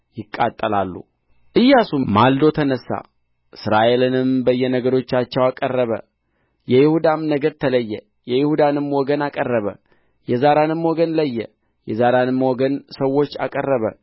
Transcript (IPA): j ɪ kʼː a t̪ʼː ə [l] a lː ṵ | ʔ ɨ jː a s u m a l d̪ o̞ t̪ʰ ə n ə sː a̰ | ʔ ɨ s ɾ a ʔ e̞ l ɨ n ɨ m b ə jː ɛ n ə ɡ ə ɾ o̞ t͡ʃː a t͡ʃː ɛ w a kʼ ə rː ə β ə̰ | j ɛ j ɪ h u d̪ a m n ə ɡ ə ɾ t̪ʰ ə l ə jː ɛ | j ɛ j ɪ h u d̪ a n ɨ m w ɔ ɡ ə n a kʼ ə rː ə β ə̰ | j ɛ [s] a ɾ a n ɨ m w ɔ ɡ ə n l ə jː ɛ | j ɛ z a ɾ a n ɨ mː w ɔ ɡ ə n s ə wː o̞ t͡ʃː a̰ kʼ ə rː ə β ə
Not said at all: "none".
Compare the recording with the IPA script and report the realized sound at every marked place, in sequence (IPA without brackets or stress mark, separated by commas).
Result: l, z